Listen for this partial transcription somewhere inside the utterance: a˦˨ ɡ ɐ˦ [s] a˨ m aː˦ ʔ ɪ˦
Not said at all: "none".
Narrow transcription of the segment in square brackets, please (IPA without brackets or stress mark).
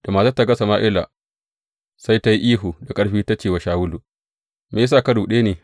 s